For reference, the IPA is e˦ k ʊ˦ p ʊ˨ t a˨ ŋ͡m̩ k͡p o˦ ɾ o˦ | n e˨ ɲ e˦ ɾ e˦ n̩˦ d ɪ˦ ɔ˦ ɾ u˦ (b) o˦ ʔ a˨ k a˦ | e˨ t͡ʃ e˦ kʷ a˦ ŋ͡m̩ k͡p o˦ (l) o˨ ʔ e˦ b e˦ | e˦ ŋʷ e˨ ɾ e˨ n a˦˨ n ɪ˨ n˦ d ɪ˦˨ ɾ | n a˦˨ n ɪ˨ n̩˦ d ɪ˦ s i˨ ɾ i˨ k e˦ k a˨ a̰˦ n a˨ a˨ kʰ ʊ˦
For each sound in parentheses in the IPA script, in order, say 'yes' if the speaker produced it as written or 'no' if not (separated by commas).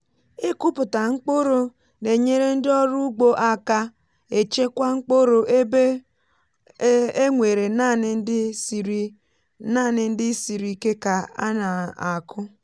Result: no, no